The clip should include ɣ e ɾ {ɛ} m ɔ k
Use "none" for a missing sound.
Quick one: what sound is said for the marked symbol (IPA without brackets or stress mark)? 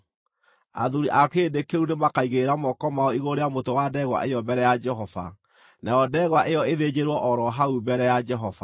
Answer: a